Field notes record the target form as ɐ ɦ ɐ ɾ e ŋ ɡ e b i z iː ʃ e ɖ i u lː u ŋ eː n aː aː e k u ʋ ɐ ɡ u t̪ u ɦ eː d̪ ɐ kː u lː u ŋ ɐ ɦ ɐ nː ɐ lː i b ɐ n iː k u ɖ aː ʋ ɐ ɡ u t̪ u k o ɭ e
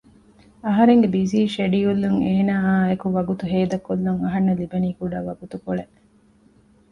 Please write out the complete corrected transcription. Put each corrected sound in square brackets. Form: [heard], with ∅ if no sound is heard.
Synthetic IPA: ɐ ɦ ɐ ɾ e ŋ ɡ e b i z iː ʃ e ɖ i u lː u ŋ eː n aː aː e k u ʋ ɐ ɡ u t̪ u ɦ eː d̪ ɐ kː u lː u ŋ ɐ ɦ ɐ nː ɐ [l] i b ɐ n iː k u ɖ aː ʋ ɐ ɡ u t̪ u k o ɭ e